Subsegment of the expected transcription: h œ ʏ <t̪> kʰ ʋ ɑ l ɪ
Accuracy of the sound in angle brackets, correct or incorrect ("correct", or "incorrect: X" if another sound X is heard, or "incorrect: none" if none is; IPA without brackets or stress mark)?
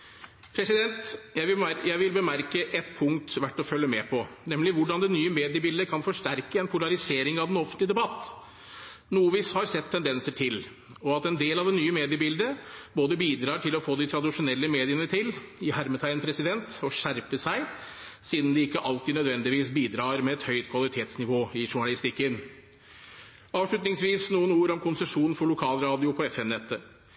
correct